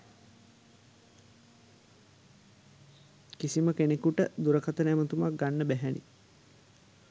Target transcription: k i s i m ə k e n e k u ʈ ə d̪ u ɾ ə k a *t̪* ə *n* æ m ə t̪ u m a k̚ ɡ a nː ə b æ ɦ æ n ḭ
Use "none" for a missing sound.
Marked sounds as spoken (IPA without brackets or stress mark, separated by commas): t̪, n